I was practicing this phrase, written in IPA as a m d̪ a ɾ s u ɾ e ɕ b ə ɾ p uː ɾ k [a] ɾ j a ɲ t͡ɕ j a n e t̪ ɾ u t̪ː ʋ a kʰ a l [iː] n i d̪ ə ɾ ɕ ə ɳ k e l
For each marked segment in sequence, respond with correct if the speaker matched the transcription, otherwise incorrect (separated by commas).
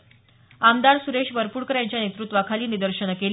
incorrect, correct